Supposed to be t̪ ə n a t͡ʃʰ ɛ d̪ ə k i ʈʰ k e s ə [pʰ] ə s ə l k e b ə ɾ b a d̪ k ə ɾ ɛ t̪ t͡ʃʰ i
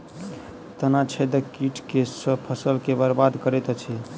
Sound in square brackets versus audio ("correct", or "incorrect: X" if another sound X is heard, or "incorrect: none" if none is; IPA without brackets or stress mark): correct